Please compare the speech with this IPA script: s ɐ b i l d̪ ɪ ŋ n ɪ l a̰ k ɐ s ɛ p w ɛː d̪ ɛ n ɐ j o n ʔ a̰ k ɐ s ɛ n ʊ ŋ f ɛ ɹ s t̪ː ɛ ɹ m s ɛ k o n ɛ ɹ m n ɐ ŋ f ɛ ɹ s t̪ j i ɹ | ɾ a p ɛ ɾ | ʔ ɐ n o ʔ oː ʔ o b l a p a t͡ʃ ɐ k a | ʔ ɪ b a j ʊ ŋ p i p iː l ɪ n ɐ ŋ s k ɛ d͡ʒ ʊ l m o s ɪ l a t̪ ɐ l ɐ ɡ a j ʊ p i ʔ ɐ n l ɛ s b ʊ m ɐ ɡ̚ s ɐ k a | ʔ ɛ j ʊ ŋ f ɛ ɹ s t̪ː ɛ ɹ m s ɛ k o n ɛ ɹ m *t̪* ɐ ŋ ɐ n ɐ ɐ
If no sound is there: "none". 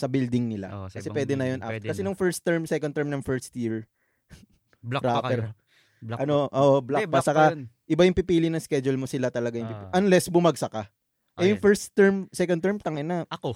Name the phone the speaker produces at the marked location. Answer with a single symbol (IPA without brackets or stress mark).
t̪